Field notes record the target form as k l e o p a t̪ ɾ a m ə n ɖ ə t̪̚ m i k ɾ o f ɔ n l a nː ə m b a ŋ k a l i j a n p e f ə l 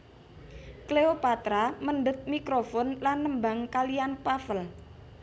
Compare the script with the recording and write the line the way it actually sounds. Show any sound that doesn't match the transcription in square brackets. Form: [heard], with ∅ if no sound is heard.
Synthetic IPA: k l e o p a t̪ ɾ a m ə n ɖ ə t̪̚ m i k ɾ o f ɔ n l a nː ə m b a ŋ k a l i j a n p [a] f ə l